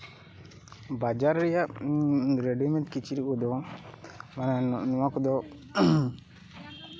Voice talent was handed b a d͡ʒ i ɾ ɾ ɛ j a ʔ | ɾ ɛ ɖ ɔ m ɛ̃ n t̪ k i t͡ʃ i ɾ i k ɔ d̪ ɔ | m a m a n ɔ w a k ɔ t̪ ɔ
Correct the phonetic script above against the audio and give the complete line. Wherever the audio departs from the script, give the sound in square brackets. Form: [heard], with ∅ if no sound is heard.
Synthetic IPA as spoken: b a d͡ʒ [a] ɾ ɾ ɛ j a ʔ | ɾ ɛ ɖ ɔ m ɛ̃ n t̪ k i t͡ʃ i ɾ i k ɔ d̪ ɔ | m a [n] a n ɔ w a k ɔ [d̪] ɔ